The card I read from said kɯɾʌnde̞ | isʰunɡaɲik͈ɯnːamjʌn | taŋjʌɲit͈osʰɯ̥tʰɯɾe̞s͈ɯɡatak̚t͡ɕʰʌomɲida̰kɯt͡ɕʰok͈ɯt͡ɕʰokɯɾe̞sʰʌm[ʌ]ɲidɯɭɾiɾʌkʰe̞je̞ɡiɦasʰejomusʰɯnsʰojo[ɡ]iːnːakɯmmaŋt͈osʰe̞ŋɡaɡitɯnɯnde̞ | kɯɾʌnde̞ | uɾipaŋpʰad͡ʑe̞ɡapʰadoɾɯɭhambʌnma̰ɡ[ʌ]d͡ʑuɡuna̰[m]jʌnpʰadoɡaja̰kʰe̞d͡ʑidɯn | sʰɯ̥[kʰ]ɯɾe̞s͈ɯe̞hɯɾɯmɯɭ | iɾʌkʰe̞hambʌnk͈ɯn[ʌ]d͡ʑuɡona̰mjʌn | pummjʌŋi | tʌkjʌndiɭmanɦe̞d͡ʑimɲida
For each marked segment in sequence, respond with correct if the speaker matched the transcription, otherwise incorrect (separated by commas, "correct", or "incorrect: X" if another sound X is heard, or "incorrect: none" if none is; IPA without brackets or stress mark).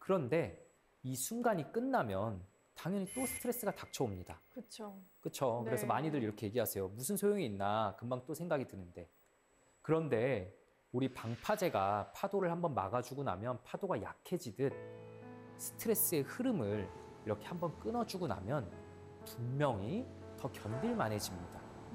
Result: incorrect: a, incorrect: ŋ, incorrect: a, correct, incorrect: tʰ, correct